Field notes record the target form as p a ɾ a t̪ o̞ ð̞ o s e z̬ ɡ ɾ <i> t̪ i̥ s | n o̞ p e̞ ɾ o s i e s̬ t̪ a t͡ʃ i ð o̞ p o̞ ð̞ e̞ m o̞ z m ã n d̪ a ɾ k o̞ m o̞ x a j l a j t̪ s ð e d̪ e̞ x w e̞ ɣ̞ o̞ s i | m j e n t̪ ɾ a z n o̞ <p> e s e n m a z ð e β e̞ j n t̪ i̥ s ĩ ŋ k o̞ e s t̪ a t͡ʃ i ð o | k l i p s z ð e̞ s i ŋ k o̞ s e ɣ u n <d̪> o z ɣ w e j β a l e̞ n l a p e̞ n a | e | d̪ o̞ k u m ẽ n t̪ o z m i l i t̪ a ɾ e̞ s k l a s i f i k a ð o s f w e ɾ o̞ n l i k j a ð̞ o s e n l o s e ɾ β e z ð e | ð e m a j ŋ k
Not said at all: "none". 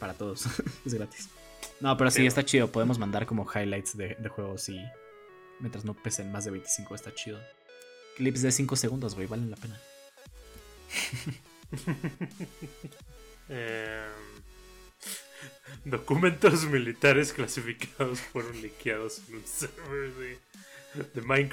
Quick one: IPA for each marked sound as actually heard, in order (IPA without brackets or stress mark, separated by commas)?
a, p, d̪